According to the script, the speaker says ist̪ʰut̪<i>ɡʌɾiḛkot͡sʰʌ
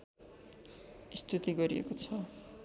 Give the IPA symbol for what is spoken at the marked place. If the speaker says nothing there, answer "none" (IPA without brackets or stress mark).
i